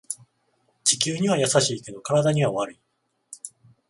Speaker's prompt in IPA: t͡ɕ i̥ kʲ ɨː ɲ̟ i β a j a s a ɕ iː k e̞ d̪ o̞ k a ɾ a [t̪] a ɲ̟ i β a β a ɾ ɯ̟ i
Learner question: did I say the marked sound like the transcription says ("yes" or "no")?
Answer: no